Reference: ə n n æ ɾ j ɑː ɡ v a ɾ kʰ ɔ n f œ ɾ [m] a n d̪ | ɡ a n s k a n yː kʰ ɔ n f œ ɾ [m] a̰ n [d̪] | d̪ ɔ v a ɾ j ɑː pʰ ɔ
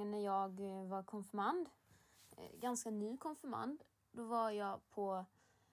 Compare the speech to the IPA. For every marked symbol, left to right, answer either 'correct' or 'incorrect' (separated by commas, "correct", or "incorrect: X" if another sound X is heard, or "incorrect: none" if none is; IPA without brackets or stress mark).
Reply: correct, correct, correct